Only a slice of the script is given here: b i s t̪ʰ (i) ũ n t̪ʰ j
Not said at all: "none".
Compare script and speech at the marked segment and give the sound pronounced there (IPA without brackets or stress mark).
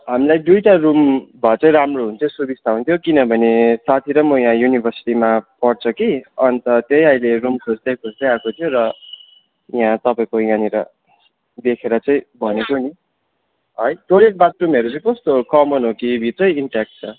a